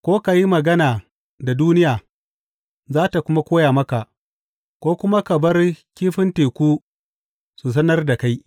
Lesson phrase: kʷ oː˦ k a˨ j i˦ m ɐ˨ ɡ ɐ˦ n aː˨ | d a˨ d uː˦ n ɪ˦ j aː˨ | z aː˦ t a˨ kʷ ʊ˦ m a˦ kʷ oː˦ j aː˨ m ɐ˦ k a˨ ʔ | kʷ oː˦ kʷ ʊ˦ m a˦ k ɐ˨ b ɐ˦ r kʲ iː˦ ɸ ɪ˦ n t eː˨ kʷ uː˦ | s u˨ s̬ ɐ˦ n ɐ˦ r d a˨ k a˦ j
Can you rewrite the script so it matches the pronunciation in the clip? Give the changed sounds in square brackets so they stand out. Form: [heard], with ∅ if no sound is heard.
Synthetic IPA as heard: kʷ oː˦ k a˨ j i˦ m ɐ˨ ɡ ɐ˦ n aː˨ | d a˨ d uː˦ n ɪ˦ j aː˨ | z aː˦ t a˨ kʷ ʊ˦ m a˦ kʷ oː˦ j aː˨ m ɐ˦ k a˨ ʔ | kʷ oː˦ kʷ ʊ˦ m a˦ k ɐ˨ b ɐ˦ r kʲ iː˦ ɸ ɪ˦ n t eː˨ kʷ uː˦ | s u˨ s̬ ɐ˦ n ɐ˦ r d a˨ k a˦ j